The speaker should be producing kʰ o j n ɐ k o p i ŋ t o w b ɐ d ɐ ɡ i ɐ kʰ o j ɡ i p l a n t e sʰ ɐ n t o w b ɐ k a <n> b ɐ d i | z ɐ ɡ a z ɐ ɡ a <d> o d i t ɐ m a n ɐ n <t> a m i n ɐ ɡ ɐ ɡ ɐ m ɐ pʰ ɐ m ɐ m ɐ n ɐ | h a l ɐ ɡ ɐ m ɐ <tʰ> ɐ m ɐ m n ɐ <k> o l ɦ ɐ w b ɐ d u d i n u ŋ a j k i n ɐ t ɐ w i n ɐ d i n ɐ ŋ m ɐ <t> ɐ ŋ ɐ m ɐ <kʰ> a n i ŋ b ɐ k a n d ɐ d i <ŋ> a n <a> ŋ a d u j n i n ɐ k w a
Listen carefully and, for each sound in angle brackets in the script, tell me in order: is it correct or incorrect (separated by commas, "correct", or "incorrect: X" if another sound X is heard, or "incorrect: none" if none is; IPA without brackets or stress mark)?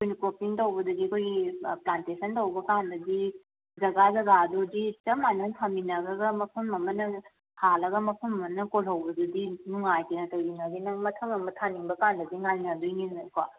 correct, correct, incorrect: tʰ, incorrect: pʰ, correct, incorrect: tʰ, incorrect: tʰ, correct, incorrect: i